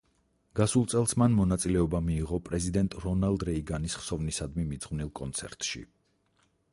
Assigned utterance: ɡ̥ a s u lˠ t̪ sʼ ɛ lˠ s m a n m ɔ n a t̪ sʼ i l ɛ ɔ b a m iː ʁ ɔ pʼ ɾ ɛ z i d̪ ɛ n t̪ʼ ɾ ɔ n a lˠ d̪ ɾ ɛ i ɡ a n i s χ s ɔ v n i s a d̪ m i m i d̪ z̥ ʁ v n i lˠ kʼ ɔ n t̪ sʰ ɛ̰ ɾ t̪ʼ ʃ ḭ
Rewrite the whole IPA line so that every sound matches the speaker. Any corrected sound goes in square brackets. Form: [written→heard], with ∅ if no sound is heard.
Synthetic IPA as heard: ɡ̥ a s u lˠ t̪ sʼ ɛ lˠ s m a n m ɔ n a t̪ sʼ i l ɛ ɔ b a m iː ʁ ɔ pʼ ɾ ɛ z i d̪ ɛ n t̪ʼ ɾ ɔ n a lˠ d̪ ɾ ɛ i ɡ a n i s χ s ɔ v n i s a d̪ m i m i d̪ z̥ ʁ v n i lˠ kʼ ɔ n t̪ sʰ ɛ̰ ɾ t̪ʼ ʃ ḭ